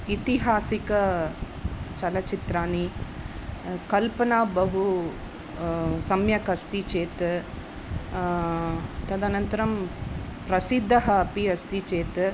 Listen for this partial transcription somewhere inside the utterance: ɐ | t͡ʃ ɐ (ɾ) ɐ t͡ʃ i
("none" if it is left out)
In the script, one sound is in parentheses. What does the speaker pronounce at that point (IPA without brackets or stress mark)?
l